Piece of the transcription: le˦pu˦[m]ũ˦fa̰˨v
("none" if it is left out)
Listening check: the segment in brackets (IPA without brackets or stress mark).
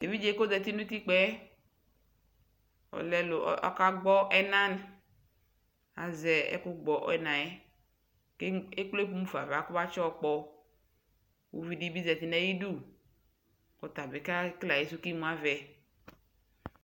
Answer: m